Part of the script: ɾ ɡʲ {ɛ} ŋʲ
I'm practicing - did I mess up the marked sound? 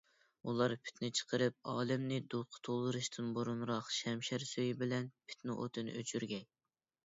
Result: no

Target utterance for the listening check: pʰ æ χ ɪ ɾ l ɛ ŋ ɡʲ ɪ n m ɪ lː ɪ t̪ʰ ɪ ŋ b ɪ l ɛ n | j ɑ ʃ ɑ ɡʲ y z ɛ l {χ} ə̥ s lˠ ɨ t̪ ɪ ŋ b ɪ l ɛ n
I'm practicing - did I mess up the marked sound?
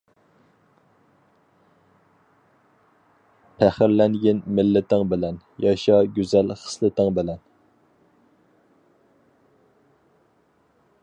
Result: no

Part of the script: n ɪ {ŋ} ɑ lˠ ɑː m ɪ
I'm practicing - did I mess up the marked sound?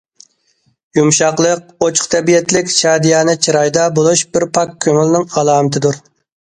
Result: no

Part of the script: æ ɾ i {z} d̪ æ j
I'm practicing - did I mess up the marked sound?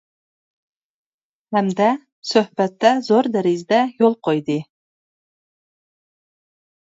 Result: no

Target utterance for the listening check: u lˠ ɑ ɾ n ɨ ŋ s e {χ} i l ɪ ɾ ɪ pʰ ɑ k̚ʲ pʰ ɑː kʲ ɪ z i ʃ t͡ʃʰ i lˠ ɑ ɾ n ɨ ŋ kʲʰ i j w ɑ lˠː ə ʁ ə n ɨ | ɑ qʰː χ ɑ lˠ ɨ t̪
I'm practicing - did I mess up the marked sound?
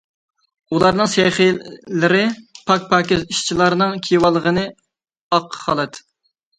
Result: no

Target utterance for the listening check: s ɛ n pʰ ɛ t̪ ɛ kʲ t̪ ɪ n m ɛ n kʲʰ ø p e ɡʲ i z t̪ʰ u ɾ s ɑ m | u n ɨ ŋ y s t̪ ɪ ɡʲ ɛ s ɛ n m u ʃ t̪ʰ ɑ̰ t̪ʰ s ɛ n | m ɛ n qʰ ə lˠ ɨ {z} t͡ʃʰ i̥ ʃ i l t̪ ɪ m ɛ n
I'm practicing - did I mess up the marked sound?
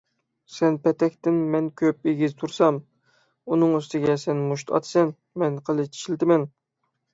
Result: yes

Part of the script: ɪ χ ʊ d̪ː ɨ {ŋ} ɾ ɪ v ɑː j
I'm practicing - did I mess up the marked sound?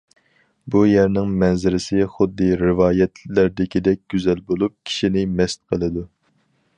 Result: yes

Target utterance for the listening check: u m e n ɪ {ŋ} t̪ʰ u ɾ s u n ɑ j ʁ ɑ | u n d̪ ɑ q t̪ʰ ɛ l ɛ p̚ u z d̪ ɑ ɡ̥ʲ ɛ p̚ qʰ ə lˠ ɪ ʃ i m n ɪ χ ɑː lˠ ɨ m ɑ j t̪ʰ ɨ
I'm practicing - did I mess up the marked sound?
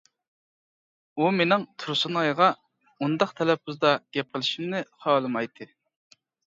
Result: no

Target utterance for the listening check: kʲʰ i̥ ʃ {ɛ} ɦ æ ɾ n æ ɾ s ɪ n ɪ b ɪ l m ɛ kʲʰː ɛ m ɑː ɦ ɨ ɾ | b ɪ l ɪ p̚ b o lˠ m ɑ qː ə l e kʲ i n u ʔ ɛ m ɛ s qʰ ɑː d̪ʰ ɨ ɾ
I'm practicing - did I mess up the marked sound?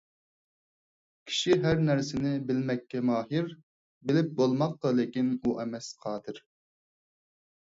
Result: yes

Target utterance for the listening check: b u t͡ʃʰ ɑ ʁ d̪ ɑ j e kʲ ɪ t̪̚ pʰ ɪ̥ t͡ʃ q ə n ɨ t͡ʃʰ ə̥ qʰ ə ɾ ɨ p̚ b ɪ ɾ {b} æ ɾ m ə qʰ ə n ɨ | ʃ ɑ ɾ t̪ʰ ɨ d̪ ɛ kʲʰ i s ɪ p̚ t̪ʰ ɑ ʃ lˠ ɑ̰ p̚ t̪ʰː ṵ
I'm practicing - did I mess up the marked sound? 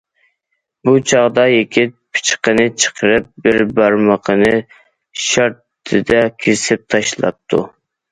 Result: no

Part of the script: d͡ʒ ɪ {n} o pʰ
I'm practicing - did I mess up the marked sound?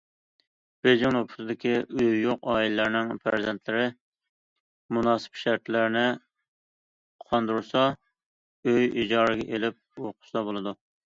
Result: yes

